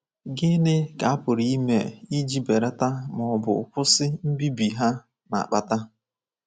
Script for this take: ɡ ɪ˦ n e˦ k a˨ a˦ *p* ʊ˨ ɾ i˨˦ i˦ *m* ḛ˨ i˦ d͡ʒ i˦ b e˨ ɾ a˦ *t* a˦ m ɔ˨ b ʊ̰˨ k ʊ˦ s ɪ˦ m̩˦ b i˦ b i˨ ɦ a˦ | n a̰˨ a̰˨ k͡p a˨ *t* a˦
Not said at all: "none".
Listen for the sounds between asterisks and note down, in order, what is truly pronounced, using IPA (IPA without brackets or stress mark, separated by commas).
p, m, t, t